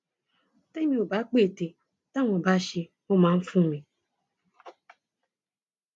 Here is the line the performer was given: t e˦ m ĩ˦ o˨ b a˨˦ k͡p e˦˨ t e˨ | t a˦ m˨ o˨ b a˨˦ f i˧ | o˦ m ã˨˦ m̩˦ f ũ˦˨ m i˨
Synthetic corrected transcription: t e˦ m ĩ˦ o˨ b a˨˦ k͡p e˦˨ t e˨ | t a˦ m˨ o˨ b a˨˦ ʃ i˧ | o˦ m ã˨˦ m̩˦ f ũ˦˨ m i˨